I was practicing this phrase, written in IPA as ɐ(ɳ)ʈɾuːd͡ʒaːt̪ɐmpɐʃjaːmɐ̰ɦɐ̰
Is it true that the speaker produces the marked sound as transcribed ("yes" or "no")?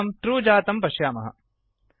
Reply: no